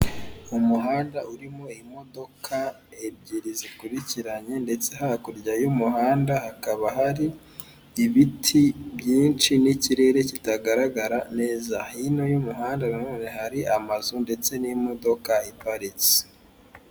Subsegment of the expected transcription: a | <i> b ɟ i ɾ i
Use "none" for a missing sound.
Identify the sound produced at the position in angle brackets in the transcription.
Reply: e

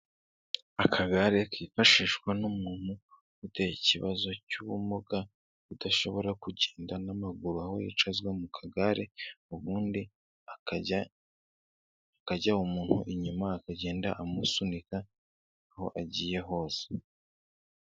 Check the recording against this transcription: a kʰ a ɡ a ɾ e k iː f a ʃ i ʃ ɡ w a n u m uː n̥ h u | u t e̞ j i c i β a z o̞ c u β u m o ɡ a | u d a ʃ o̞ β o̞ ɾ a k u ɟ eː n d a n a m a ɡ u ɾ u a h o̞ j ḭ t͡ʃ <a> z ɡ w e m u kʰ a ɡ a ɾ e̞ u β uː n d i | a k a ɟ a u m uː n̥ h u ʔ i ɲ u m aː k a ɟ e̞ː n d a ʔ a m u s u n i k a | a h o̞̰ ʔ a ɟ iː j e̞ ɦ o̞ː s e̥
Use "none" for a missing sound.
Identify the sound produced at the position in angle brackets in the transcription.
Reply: a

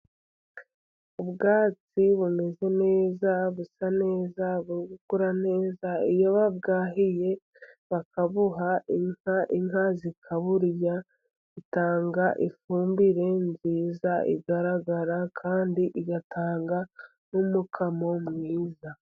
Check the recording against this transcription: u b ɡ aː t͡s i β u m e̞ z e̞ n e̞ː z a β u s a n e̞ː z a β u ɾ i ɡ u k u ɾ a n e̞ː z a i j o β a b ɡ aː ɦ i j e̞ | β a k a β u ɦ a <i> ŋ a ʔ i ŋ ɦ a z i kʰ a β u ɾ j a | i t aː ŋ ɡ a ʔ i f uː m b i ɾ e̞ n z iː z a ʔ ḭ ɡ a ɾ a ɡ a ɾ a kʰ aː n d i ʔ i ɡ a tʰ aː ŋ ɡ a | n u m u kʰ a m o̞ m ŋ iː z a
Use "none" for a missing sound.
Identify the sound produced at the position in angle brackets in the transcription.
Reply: i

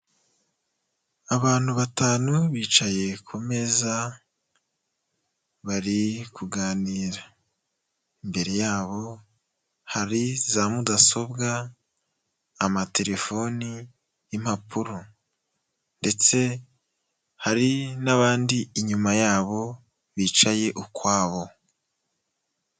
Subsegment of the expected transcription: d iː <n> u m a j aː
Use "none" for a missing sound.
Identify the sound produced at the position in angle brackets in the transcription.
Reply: ɲ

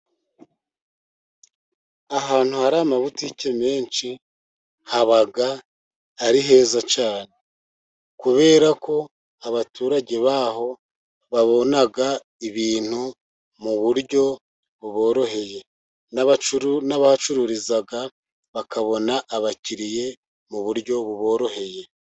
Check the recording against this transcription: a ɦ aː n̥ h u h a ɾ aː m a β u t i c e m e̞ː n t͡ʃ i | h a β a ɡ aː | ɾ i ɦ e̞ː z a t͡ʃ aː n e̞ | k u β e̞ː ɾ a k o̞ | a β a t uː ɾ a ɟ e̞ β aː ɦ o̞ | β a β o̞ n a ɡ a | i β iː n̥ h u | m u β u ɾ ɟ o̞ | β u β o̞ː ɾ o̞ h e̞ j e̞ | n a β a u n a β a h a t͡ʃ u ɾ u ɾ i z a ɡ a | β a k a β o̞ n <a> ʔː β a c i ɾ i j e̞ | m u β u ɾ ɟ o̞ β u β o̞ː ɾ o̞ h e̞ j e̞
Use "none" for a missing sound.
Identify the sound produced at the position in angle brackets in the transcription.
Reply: a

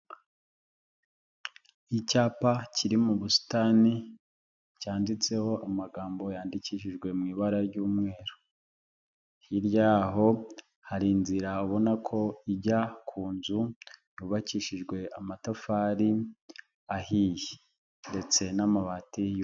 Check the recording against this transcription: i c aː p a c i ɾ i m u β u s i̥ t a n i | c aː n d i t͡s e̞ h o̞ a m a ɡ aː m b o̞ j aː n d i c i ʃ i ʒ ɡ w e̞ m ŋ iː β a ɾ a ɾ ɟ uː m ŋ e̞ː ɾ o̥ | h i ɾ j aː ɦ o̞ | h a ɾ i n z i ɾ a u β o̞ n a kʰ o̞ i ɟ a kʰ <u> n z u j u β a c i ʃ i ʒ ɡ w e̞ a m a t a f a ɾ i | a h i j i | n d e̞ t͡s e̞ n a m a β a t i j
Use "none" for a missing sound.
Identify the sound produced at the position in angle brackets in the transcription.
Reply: uː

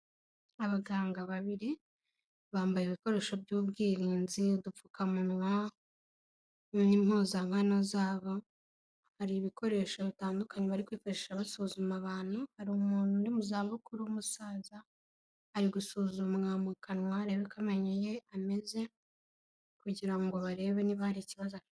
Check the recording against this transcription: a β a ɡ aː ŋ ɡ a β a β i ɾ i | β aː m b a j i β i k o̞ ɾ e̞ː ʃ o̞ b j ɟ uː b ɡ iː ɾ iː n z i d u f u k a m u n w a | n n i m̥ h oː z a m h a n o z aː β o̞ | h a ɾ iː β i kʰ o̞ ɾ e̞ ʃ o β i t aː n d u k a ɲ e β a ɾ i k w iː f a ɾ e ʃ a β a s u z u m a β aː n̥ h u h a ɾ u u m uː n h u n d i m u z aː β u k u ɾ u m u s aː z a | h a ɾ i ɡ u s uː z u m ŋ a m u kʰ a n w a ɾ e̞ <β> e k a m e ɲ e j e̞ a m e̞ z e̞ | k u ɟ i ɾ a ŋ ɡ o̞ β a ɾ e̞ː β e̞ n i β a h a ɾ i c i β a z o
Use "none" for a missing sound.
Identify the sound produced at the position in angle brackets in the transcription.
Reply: β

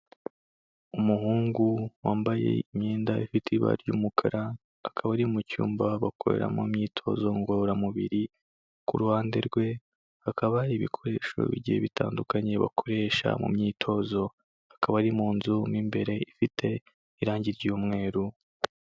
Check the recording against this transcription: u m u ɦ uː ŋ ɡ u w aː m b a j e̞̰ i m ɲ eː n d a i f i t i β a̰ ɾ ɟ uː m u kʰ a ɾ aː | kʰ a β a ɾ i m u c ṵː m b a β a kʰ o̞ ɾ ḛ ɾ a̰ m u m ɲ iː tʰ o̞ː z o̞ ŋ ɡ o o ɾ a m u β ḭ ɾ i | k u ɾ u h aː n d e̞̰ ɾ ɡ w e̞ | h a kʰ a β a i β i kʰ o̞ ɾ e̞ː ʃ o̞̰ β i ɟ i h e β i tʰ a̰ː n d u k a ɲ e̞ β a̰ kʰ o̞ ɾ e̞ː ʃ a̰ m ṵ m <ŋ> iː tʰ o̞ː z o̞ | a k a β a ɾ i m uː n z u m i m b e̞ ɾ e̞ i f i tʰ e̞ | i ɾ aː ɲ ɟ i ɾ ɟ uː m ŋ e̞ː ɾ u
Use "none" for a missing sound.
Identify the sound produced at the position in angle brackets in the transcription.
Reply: ɲ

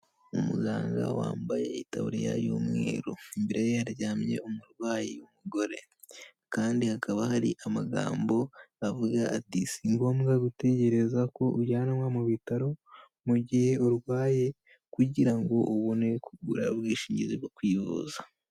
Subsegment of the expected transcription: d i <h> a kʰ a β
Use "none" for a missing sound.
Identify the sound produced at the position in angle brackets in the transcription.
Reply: h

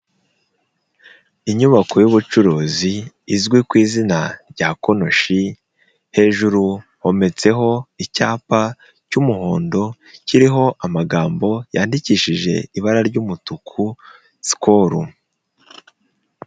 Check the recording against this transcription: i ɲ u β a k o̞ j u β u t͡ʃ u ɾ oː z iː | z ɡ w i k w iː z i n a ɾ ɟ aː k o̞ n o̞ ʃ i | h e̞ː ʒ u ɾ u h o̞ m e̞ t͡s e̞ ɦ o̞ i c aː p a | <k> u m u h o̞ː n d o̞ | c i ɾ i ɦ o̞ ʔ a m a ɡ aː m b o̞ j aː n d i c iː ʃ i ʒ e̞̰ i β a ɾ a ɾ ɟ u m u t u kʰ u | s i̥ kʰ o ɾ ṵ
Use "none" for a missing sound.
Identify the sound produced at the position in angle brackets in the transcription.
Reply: c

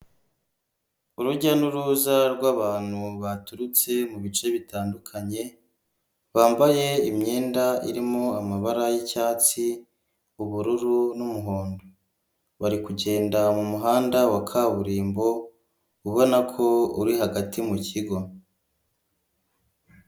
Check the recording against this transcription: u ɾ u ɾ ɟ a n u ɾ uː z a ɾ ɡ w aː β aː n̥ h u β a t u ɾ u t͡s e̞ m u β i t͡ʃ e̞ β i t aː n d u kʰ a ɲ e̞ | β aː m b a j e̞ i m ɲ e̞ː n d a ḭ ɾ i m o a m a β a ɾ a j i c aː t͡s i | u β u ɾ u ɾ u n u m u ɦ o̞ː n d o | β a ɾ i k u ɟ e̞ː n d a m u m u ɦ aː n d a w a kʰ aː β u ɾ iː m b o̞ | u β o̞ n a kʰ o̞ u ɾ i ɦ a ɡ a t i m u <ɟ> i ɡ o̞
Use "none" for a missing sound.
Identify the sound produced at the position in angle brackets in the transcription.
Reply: c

